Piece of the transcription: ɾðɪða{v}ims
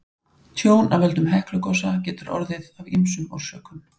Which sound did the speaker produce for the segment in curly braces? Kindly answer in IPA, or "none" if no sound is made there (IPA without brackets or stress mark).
v